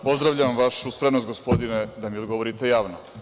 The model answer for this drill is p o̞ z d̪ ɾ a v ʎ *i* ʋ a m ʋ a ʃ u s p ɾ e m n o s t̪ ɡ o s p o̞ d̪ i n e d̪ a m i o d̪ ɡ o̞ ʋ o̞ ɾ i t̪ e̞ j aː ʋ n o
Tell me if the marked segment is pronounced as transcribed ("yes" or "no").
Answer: no